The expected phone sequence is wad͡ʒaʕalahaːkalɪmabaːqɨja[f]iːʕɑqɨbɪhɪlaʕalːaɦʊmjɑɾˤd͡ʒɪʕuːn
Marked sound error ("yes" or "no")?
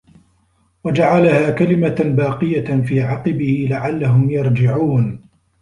no